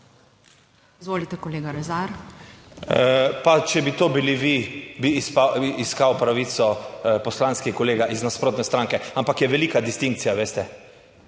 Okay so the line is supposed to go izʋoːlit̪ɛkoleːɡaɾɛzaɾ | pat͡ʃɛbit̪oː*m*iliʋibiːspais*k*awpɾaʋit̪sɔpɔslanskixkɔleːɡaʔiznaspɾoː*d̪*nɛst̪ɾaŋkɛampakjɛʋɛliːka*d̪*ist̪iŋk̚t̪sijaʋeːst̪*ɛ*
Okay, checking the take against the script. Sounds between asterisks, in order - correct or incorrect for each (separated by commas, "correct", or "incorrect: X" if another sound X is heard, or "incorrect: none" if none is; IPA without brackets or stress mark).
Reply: incorrect: b, correct, incorrect: t̪, correct, correct